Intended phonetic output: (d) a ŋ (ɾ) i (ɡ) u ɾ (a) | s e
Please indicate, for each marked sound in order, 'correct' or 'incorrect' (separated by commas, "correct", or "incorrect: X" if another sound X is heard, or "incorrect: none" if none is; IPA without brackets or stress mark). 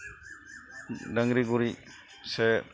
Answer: correct, correct, correct, incorrect: i